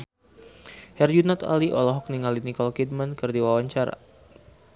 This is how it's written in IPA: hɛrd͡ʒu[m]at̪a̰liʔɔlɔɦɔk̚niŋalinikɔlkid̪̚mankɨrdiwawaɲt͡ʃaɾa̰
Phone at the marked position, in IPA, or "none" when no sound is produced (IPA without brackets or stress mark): n